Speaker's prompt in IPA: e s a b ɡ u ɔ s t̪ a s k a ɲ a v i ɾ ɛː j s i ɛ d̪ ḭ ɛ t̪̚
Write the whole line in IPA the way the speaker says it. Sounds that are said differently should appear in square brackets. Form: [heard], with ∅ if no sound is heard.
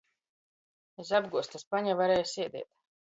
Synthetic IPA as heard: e s a b ɡ u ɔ s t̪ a s [p] a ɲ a v [a] ɾ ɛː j s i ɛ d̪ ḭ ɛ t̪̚